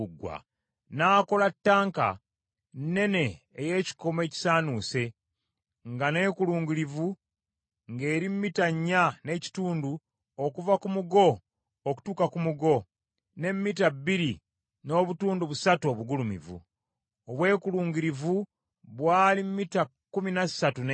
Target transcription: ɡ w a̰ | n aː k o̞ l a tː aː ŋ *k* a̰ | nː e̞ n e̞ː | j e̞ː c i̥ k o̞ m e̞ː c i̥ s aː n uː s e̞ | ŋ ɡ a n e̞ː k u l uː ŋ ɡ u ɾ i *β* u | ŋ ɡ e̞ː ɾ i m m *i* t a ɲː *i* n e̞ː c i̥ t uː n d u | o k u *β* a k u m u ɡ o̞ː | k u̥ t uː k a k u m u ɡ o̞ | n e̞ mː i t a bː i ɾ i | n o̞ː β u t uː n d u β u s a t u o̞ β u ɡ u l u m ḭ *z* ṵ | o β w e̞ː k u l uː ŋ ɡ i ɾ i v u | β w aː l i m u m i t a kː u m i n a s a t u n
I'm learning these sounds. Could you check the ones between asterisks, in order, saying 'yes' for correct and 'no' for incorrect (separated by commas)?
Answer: yes, no, yes, no, no, no